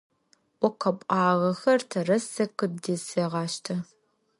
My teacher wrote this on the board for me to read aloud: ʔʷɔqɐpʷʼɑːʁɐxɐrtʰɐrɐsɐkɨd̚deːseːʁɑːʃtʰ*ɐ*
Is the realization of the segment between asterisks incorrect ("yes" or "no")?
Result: no